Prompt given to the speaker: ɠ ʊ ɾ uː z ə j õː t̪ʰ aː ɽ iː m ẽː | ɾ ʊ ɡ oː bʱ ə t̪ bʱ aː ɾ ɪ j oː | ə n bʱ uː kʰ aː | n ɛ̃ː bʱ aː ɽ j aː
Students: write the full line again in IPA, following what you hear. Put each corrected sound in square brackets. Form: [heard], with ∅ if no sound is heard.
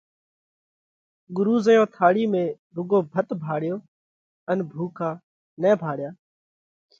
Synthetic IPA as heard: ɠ ʊ ɾ uː z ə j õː t̪ʰ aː ɽ iː m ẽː | ɾ ʊ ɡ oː bʱ ə t̪ bʱ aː [ɽ] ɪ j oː | ə n bʱ uː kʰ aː | n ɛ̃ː bʱ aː ɽ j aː

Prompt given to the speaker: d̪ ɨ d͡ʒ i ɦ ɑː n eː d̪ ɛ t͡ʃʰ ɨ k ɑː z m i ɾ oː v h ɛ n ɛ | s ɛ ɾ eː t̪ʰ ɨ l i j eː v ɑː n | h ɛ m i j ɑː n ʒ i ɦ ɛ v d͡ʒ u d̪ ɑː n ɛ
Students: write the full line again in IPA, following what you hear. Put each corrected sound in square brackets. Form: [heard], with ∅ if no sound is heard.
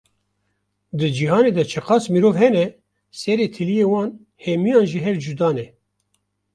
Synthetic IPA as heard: d̪ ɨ d͡ʒ i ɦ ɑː n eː d̪ ɛ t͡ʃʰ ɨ [q] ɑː [s] m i ɾ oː v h ɛ n ɛ | s ɛ ɾ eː t̪ʰ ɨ l i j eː [w] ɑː n | h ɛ m i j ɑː n ʒ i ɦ ɛ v d͡ʒ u d̪ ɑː n ɛ

